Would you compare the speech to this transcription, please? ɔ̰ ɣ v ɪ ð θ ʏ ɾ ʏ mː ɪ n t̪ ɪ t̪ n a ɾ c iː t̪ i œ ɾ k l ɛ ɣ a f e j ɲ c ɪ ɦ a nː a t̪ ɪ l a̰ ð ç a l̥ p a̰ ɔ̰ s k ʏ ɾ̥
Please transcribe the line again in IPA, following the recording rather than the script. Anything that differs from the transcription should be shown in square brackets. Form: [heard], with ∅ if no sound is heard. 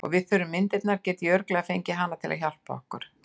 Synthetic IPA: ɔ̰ ɣ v ɪ ð θ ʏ ɾ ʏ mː ɪ n t̪ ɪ t̪ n a ɾ c [ɛː] t̪ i œ ɾ k l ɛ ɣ a f e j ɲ c ɪ ɦ a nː a [t̪ʰ] ɪ l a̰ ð ç a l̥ p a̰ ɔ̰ [h] k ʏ ɾ̥